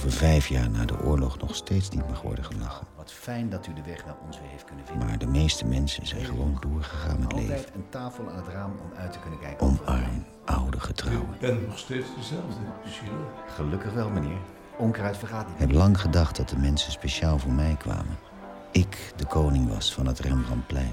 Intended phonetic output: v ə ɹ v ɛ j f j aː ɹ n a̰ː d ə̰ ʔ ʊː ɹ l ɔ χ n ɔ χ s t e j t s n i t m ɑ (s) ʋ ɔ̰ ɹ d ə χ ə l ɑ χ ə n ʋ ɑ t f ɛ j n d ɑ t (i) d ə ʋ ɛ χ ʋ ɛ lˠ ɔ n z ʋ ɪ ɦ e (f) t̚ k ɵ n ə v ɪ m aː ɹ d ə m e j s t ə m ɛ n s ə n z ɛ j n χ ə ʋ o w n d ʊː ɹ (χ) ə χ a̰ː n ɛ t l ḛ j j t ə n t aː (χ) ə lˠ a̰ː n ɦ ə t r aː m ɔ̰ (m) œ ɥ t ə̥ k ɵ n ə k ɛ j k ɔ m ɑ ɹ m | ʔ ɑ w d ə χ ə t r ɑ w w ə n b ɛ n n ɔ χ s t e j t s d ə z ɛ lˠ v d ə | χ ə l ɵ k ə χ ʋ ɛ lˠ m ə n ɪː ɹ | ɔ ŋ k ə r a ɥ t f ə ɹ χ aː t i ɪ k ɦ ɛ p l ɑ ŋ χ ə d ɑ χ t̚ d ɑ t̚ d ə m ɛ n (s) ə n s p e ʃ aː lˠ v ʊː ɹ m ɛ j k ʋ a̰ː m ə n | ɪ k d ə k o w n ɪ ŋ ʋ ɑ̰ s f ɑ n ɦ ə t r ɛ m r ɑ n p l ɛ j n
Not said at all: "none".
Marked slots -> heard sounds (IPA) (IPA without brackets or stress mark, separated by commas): χ, y, f, χ, f, m, s